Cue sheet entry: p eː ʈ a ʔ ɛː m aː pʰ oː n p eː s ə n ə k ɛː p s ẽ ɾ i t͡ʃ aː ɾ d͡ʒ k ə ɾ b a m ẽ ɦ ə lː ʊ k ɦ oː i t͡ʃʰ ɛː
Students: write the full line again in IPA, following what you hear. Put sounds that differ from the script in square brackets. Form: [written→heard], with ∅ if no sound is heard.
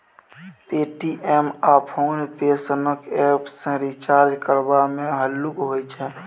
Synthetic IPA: p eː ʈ [a→i] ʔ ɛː m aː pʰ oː n p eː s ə n ə k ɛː p s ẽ ɾ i t͡ʃ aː ɾ d͡ʒ k ə ɾ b a m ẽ ɦ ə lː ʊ k ɦ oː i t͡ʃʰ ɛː

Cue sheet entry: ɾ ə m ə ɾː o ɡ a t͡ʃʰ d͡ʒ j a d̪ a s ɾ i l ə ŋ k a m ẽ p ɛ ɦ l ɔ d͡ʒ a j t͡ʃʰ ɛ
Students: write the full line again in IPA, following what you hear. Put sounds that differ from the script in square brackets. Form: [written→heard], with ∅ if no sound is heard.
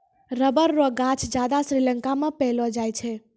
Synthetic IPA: ɾ ə [m→b] ə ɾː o ɡ a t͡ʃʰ d͡ʒ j a d̪ a s ɾ i l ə ŋ k a m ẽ p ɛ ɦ l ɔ d͡ʒ a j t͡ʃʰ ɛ

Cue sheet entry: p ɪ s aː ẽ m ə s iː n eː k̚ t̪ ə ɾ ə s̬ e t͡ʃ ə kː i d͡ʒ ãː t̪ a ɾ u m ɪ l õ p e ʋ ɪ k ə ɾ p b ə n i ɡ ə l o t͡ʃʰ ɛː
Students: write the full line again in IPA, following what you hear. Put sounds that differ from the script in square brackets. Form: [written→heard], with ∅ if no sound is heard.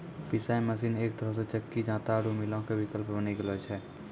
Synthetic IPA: p ɪ s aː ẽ m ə s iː n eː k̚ t̪ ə ɾ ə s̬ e t͡ʃ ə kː i d͡ʒ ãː t̪ a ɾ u m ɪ l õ [p→k] e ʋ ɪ k ə [ɾ→l] p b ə n i ɡ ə l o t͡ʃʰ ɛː

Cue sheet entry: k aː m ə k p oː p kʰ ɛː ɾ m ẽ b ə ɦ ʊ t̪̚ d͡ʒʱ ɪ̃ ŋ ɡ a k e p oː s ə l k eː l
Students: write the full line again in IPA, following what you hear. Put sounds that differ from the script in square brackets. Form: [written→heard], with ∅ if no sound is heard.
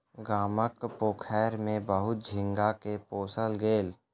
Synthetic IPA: [k→ɡ] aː m ə k p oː [p→∅] kʰ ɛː ɾ m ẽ b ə ɦ ʊ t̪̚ d͡ʒʱ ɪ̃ ŋ ɡ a k e p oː s ə l [k→ɡ] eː l

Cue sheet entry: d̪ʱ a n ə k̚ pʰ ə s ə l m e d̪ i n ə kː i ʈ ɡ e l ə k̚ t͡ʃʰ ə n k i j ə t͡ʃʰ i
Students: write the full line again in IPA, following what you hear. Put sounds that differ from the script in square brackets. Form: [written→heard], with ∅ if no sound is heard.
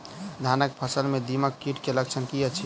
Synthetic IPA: d̪ʱ a n ə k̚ pʰ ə s ə l m e d̪ i [n→m] ə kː i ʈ [ɡ→k] e l ə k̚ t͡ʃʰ ə n k i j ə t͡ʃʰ i

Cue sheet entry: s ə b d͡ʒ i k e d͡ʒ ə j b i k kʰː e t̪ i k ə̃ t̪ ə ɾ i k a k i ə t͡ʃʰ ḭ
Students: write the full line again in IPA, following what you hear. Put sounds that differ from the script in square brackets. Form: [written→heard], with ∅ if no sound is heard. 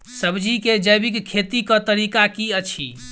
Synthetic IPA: s ə b d͡ʒ i k e d͡ʒ ə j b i k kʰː e t̪ i k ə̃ t̪ ə ɾ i k a k i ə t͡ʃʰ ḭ

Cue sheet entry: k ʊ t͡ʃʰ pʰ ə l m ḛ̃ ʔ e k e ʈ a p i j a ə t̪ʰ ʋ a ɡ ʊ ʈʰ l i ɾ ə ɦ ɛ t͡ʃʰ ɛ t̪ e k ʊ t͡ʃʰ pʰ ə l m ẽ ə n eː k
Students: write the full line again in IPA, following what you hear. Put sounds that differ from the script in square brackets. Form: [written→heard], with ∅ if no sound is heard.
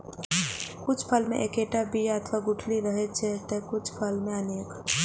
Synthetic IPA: k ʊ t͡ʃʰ pʰ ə l m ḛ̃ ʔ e k e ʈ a [p→b] i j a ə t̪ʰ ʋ a ɡ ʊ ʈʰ l i ɾ ə ɦ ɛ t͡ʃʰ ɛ t̪ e k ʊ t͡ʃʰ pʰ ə l m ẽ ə n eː k

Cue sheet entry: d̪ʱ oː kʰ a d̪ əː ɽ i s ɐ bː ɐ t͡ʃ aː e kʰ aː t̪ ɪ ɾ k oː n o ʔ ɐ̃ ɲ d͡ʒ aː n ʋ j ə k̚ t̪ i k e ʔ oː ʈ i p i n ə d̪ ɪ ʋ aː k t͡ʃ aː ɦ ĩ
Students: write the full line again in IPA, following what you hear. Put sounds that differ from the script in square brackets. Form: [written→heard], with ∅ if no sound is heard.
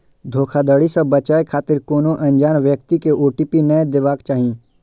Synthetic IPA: d̪ʱ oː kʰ a d̪ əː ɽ i s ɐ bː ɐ t͡ʃ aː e kʰ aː t̪ ɪ ɾ k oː n o ʔ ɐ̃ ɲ d͡ʒ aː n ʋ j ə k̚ t̪ i k e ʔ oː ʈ i p i n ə d̪ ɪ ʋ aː k t͡ʃ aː ɦ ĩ

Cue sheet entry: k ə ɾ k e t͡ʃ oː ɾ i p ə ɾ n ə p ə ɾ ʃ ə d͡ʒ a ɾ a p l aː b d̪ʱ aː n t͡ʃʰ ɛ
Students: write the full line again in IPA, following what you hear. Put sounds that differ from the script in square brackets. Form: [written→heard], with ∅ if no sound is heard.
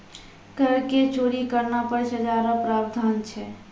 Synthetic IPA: k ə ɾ k e t͡ʃ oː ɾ i [p→k] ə ɾ n [ə→a] p ə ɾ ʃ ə d͡ʒ a ɾ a p [l→ɾ] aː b d̪ʱ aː n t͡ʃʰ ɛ

